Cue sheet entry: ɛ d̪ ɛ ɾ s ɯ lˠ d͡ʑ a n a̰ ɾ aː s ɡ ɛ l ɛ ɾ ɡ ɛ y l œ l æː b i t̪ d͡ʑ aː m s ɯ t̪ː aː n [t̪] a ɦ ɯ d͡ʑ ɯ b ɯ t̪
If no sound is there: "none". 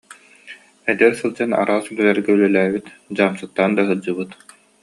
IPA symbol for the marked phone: d̪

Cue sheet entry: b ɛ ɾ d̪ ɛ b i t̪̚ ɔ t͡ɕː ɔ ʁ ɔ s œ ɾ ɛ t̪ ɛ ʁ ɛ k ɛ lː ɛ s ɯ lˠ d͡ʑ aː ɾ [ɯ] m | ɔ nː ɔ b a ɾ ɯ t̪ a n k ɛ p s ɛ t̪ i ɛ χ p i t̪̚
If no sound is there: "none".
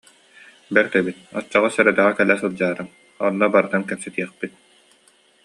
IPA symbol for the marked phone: ɯ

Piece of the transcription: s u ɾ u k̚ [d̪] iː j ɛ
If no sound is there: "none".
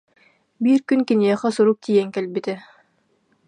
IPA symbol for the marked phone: t̪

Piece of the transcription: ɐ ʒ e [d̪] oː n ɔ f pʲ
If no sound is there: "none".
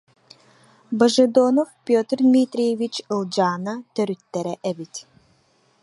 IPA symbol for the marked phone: d̪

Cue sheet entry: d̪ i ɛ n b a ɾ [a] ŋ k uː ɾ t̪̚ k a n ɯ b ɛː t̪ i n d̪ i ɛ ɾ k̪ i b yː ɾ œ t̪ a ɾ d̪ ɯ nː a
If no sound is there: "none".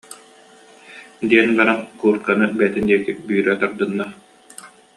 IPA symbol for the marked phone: a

